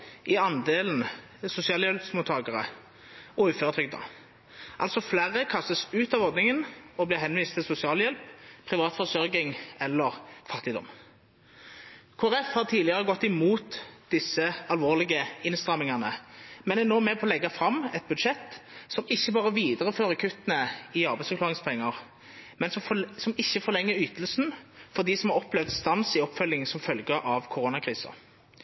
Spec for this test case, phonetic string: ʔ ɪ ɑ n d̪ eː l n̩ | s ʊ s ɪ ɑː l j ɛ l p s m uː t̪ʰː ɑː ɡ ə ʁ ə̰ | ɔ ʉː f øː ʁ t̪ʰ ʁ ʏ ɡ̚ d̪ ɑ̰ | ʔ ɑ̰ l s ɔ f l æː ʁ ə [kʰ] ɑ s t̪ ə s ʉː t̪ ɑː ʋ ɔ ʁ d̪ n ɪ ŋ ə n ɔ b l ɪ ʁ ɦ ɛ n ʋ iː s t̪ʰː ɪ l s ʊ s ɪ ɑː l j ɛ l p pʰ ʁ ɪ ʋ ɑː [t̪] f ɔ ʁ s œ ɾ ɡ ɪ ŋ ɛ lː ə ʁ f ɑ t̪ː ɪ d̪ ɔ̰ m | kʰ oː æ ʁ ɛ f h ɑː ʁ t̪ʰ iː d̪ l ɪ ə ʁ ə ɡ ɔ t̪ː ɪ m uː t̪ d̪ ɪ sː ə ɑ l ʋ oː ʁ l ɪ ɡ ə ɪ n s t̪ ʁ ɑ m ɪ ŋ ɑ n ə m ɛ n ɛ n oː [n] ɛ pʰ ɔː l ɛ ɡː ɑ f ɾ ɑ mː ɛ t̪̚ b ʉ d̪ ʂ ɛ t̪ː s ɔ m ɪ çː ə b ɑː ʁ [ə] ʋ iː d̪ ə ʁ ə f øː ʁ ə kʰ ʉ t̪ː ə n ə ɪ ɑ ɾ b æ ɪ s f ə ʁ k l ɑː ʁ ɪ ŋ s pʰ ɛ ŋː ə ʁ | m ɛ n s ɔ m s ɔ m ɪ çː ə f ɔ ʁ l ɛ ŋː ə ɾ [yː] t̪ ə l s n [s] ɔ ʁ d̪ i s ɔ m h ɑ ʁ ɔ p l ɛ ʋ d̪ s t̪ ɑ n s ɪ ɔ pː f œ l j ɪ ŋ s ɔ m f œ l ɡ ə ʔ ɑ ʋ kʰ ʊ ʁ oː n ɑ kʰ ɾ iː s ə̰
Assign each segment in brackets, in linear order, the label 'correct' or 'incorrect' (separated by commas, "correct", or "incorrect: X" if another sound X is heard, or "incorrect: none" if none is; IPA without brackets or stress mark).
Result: correct, correct, incorrect: m, correct, correct, incorrect: f